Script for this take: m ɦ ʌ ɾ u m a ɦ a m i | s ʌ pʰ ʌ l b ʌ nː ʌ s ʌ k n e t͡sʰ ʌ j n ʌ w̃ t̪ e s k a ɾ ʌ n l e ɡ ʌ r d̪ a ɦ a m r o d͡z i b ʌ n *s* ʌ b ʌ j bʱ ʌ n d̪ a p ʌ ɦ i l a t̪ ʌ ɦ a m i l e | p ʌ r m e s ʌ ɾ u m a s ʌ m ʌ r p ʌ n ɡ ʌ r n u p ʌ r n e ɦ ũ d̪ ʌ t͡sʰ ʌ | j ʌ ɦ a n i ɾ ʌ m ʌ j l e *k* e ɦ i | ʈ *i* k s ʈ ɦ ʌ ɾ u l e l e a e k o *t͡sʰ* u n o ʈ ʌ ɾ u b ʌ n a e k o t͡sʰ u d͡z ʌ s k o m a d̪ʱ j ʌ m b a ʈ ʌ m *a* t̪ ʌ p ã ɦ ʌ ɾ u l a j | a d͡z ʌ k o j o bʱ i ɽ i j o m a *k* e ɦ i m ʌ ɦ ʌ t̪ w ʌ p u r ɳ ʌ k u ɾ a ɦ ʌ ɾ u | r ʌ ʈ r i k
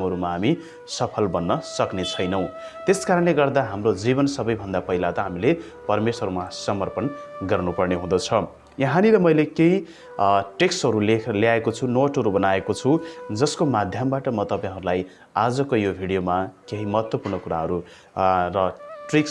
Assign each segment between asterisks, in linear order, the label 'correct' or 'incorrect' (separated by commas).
correct, correct, incorrect, correct, incorrect, correct